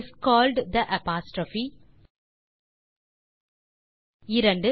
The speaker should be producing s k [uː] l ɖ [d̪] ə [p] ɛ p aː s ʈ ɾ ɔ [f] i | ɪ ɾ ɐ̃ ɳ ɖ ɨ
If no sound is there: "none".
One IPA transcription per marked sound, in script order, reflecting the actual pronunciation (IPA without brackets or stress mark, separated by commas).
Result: ɔː, d̪, ʔ, f